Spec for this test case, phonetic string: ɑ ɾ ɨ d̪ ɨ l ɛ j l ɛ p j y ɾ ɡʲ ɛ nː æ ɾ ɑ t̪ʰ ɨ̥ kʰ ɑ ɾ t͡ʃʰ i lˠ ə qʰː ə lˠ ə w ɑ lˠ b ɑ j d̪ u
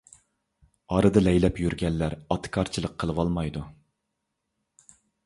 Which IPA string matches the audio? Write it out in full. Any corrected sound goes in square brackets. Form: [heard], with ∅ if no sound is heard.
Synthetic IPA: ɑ ɾ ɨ d̪ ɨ l ɛ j l ɛ p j y ɾ ɡʲ ɛ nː æ ɾ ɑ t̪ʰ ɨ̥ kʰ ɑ ɾ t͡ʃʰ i lˠ ə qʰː ə lˠ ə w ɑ lˠ [m] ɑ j d̪ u

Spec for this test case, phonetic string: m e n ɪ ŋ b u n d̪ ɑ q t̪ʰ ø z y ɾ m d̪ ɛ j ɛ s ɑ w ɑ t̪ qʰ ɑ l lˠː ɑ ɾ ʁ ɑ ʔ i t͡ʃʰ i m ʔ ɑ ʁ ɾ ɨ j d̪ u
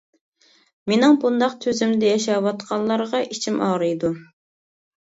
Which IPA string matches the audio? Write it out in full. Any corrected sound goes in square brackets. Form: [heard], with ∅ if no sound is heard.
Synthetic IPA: m e n ɪ ŋ b u n d̪ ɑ q t̪ʰ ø z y [∅] m d̪ ɛ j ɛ [ʃ] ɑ w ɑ t̪ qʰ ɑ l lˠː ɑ ɾ ʁ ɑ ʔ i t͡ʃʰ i m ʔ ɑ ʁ ɾ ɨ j d̪ u

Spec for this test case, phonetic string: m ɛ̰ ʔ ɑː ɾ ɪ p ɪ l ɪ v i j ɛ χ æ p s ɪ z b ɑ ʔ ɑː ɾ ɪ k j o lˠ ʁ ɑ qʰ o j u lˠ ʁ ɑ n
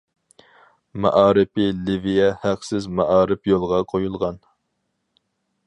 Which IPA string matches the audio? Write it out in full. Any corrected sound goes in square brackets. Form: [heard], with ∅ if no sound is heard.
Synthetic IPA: m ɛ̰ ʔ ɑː ɾ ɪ p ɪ l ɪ v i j ɛ [h] æ [q] s ɪ z [m] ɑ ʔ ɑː ɾ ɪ [p] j o lˠ ʁ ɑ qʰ o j u lˠ ʁ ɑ n

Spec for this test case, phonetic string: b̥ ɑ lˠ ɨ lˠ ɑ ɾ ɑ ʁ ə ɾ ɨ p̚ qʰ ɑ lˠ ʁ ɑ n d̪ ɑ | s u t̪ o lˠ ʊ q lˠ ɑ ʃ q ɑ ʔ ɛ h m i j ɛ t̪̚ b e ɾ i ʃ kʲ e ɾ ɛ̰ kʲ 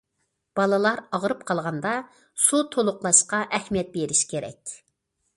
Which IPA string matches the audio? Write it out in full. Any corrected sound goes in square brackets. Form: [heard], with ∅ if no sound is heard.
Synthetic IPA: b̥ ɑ lˠ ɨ lˠ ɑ ɾ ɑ ʁ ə ɾ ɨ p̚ qʰ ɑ lˠ ʁ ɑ n d̪ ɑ | s u [t̪ʰ] o lˠ ʊ q lˠ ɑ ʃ q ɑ ʔ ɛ h m i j ɛ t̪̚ b e ɾ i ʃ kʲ e ɾ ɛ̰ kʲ

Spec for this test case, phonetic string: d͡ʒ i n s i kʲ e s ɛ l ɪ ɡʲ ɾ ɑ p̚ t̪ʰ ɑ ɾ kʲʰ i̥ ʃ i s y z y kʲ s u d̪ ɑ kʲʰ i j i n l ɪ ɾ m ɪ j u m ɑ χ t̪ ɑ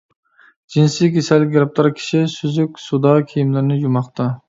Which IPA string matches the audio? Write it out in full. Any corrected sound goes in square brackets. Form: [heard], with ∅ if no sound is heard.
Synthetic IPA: d͡ʒ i n s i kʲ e s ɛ l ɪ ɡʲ ɾ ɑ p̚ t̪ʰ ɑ ɾ kʲʰ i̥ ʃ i s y z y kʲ s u d̪ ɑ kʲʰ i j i [m] l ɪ ɾ [n] ɪ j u m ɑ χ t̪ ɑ

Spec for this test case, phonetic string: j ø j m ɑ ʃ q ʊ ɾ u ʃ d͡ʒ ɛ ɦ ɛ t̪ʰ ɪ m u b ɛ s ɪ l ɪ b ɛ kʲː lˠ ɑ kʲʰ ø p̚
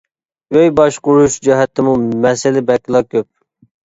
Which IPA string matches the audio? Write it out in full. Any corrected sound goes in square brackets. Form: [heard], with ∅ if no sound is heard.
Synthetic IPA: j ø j [b] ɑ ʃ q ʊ ɾ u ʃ d͡ʒ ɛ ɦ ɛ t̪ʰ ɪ m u [m] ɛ s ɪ l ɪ b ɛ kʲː lˠ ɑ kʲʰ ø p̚

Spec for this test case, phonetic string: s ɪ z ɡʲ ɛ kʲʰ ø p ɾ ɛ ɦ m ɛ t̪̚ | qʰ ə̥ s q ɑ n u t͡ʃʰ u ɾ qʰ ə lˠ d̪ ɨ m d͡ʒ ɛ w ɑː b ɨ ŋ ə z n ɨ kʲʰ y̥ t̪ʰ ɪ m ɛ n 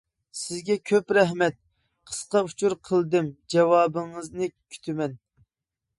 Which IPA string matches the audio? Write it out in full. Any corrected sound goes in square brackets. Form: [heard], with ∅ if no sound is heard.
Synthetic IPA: s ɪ z ɡʲ ɛ kʲʰ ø p ɾ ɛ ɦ m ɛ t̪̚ | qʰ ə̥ s q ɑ [∅] u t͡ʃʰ u ɾ qʰ ə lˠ d̪ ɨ m d͡ʒ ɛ w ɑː b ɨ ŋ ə z n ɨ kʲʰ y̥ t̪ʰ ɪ m ɛ n

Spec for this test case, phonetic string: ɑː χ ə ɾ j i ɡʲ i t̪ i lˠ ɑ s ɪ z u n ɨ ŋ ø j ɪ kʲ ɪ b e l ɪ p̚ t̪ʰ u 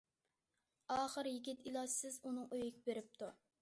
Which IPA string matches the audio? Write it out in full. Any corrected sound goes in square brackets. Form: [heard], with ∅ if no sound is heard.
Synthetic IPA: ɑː χ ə ɾ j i ɡʲ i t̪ i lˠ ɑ s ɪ z u n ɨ ŋ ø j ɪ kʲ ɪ b e [ɾ] ɪ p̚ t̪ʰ u

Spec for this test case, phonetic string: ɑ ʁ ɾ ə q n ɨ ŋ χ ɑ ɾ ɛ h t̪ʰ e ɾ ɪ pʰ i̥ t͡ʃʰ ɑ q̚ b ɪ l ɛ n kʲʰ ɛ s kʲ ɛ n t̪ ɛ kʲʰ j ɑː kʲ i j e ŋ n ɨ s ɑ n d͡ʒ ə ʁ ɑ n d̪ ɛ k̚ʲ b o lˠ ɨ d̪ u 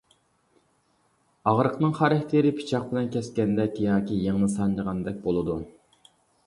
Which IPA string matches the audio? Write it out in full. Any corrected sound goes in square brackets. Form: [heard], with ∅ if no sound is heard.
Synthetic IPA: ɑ ʁ ɾ ə q n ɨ ŋ χ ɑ ɾ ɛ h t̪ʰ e ɾ ɪ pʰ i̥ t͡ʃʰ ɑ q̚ b ɪ l ɛ n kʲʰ ɛ s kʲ ɛ n [d̪] ɛ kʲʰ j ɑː kʲ i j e ŋ n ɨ s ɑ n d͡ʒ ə ʁ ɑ n d̪ ɛ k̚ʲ b o lˠ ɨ d̪ u

